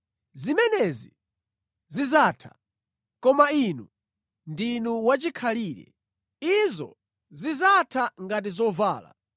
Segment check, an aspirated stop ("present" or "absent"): present